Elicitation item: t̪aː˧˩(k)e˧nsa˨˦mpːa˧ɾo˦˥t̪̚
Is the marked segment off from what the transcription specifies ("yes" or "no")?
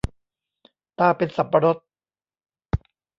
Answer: yes